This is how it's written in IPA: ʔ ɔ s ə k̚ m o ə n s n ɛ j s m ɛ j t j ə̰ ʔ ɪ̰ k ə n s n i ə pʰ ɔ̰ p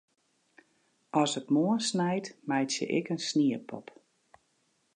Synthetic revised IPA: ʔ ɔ s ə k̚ m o ə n s n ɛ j t m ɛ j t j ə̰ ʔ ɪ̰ k ə n s n i ə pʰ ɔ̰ p